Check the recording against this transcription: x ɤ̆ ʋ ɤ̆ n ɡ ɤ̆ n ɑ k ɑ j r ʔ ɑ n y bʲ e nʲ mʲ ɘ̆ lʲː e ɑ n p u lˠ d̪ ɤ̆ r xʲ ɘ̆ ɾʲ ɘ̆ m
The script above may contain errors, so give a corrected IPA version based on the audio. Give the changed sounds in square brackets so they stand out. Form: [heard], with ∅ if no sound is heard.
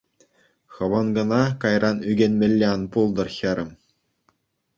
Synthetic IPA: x ɤ̆ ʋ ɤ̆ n ɡ ɤ̆ n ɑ k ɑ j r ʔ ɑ n y [ɡʲ] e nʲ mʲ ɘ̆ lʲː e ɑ n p u lˠ d̪ ɤ̆ r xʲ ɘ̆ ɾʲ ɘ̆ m